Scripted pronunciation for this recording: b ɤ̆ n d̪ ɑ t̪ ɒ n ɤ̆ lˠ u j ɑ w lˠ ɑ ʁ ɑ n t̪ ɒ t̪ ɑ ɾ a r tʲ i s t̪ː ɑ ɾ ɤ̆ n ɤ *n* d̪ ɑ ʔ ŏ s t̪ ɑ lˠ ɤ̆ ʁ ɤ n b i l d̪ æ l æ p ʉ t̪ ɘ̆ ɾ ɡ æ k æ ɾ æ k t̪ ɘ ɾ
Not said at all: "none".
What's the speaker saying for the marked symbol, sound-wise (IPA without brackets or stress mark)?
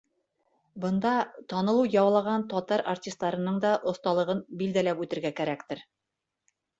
ɴ